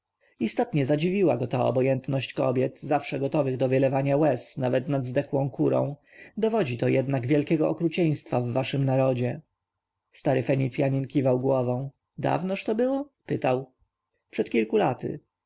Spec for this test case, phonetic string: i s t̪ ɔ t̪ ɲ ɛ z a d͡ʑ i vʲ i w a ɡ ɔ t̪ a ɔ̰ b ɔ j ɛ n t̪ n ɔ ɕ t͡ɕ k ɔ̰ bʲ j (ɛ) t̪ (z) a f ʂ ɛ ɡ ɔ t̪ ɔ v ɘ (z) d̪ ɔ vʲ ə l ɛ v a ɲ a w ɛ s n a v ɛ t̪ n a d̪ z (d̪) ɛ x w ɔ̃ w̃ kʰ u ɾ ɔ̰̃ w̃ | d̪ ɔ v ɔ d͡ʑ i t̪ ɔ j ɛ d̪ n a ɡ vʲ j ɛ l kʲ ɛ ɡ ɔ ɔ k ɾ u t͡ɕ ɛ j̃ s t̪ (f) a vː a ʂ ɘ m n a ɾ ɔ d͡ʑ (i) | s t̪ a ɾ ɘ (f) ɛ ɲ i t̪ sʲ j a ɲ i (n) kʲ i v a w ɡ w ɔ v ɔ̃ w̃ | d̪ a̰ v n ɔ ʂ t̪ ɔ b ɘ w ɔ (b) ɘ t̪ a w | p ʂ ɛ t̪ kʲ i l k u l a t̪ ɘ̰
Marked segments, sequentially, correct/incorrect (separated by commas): correct, correct, incorrect, correct, correct, incorrect, correct, correct, incorrect